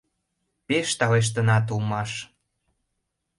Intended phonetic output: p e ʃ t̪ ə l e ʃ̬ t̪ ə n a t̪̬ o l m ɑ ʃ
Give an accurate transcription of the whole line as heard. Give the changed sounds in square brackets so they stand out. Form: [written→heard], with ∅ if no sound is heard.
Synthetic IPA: p e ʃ t̪ [ə→ɑ] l e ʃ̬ t̪ ə n [a→ɑ] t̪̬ [o→u] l m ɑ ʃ